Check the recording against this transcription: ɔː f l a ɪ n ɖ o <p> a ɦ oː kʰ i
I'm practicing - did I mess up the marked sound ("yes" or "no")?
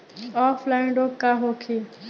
yes